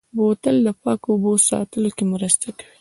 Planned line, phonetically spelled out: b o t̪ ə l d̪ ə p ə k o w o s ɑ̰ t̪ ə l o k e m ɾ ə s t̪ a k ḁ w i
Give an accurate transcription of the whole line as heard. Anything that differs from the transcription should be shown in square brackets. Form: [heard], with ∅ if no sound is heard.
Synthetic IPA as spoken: b o t̪ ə l d̪ ə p [ɑ] k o [b] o s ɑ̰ t̪ ə l o k e m ɾ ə s t̪ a k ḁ w i